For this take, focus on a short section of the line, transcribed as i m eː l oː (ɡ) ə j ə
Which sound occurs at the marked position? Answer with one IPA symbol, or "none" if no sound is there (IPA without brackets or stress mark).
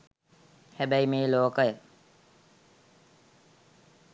k